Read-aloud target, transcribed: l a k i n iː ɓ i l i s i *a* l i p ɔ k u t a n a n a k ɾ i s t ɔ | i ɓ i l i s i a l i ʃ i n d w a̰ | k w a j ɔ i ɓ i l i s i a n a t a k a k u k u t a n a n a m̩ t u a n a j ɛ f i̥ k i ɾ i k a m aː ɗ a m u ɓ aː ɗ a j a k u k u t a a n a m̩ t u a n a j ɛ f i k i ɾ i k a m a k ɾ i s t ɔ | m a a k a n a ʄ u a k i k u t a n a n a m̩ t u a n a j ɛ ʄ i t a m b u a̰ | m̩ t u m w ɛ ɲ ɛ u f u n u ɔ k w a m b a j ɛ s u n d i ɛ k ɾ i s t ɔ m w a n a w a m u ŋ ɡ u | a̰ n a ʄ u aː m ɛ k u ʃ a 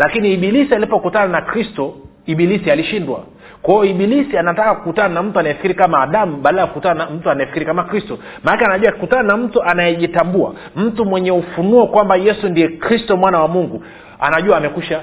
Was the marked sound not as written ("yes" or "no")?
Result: no